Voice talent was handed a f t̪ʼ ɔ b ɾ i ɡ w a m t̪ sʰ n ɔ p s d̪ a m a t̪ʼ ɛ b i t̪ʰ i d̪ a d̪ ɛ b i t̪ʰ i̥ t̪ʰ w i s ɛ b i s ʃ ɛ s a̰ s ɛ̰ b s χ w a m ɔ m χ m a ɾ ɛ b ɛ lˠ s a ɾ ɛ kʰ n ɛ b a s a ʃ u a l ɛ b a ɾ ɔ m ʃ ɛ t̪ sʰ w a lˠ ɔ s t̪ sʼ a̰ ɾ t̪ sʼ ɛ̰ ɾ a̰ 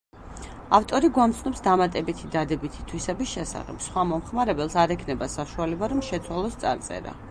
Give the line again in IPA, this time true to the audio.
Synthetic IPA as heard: a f t̪ʼ ɔ ɾ i ɡ w a m t̪ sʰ n ɔ p s d̪ a m a t̪ʼ ɛ b i t̪ʰ i d̪ a d̪ ɛ b i t̪ʰ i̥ t̪ʰ w i s ɛ b i s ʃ ɛ s a̰ χ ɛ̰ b s χ w a m ɔ m χ m a ɾ ɛ b ɛ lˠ s a ɾ ɛ kʰ n ɛ b a s a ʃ u a l ɛ b a ɾ ɔ m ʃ ɛ t̪ sʰ w a lˠ ɔ s t̪ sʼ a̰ ɾ t̪ sʼ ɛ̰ ɾ a̰